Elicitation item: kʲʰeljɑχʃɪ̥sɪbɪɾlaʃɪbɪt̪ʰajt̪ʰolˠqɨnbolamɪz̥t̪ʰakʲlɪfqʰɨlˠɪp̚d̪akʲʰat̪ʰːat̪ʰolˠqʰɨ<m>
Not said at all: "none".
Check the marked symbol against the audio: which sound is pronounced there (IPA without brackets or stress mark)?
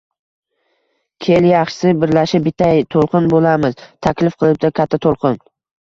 n